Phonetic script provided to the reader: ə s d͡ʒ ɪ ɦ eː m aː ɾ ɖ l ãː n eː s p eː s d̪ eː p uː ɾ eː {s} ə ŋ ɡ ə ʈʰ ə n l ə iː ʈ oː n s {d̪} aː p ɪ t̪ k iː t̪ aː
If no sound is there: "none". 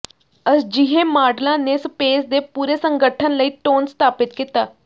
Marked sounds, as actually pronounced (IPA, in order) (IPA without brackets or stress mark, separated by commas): s, t̪